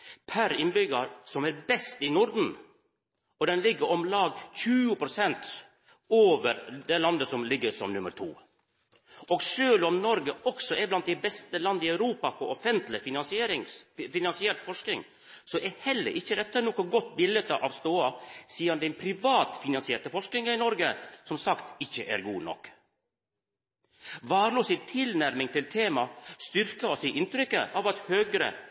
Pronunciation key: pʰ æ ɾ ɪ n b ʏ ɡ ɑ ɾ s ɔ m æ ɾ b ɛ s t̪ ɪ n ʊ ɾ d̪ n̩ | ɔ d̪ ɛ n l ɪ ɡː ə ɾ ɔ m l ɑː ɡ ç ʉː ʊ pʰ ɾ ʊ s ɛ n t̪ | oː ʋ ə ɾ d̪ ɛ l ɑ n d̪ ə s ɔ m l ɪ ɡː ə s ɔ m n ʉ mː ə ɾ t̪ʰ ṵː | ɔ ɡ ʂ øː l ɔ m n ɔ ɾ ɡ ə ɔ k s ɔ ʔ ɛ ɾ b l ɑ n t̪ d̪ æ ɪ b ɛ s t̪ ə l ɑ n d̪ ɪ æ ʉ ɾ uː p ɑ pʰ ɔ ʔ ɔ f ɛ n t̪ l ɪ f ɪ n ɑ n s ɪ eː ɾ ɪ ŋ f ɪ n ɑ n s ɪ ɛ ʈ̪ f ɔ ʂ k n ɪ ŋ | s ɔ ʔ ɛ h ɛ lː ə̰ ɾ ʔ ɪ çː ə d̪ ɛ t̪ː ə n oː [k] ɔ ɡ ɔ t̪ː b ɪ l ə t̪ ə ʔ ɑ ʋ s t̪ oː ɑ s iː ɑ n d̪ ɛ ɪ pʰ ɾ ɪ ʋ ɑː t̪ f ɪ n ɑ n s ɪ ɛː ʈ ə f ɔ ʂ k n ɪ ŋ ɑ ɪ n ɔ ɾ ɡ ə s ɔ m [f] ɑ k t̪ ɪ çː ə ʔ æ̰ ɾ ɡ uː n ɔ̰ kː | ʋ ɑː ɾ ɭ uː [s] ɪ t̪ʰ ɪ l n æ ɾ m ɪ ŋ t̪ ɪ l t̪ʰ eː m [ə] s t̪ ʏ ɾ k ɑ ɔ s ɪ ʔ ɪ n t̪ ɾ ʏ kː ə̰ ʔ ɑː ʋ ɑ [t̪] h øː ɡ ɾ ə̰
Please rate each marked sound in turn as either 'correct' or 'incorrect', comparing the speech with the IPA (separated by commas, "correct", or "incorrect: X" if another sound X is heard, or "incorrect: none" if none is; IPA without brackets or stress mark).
correct, incorrect: s, correct, incorrect: ɑ, correct